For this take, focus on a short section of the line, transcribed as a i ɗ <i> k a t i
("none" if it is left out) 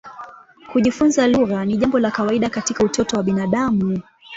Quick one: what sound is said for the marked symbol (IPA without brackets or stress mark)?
a